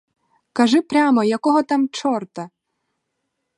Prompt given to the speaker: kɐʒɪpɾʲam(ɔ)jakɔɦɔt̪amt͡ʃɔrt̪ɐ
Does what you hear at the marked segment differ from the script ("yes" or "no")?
no